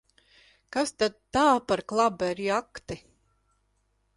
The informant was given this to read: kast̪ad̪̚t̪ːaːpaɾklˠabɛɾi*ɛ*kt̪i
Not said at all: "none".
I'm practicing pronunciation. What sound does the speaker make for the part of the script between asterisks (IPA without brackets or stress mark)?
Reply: a